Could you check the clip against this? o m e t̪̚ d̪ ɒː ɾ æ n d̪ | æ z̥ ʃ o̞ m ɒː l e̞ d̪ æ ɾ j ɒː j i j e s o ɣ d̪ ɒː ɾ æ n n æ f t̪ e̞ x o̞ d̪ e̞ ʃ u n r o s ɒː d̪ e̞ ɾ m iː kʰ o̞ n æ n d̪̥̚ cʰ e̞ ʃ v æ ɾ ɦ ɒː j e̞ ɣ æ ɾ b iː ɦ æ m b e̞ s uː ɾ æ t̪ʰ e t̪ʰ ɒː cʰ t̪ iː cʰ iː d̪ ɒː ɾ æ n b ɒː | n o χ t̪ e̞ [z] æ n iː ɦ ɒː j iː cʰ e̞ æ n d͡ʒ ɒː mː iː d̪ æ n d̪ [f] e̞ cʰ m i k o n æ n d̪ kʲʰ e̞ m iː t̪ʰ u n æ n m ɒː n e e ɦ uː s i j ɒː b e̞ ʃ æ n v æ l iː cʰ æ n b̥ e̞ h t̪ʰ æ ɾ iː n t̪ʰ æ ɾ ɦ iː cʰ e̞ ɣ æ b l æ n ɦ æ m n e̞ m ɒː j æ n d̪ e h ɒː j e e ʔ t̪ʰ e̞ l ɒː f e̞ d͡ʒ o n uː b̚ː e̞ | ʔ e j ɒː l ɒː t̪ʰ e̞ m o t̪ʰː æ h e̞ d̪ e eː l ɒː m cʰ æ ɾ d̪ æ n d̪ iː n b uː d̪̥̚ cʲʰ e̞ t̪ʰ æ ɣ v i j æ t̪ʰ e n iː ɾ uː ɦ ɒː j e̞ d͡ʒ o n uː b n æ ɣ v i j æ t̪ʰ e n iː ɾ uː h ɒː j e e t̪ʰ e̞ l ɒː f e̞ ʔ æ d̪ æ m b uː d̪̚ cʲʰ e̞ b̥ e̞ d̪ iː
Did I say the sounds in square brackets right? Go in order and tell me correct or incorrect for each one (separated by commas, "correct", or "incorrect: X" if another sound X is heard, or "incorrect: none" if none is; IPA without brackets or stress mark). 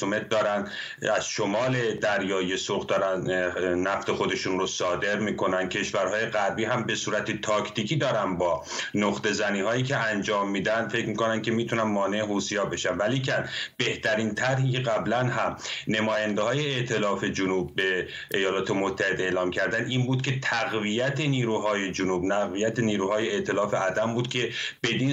correct, correct